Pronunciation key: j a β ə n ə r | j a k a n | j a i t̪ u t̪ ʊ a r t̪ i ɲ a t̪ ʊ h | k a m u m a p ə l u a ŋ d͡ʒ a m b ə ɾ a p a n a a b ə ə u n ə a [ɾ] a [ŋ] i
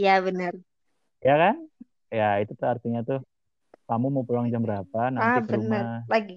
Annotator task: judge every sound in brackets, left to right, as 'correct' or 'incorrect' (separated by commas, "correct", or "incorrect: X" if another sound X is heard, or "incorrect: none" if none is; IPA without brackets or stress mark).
incorrect: l, incorrect: ɡ